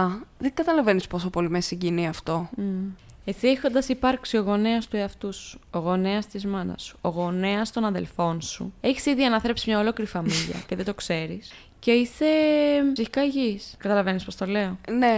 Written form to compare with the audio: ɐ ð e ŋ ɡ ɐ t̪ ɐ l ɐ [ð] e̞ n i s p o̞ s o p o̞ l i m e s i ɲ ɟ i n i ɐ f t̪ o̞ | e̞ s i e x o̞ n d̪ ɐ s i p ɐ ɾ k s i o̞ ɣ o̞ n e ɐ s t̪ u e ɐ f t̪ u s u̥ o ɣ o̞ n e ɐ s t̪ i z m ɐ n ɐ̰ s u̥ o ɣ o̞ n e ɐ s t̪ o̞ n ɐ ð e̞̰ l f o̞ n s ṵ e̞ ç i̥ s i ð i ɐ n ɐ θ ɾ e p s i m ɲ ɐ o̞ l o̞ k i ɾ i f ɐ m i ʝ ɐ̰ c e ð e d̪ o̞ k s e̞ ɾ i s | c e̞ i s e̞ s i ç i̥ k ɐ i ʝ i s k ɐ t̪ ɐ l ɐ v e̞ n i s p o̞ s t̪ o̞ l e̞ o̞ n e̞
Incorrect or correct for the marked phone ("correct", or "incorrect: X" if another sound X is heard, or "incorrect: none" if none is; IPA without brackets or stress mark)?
incorrect: v